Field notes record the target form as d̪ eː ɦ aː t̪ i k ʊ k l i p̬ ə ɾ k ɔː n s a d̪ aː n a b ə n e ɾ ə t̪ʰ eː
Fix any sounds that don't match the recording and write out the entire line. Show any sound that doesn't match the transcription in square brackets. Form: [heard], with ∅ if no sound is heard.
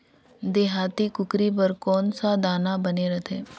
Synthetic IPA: d̪ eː ɦ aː t̪ i k ʊ k [ɾ] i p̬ ə ɾ k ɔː n s a d̪ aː n a b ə n e ɾ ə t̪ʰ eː